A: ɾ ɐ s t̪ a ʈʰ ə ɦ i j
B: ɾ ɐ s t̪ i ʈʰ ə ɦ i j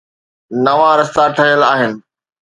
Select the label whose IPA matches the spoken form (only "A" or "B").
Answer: A